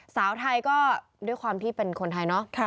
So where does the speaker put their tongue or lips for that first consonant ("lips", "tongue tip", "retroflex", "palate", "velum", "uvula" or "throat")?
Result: tongue tip